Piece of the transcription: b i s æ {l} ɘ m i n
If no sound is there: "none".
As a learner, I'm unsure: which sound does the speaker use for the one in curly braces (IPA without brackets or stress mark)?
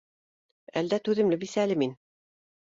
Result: l